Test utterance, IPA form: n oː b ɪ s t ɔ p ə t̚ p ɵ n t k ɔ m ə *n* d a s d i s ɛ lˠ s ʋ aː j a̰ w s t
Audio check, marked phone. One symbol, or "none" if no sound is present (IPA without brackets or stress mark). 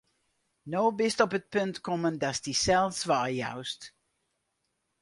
n